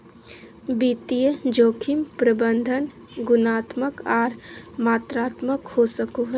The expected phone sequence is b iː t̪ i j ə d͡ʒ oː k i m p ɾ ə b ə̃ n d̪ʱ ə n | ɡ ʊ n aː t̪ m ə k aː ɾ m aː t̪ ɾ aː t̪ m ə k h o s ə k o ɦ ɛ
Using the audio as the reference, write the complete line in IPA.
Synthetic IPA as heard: b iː t̪ i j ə d͡ʒ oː kʰ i m p ɾ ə b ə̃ n d̪ʱ ə n | ɡ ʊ n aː t̪ m ə k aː ɾ m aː t̪ ɾ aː t̪ m ə k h o s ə k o ɦ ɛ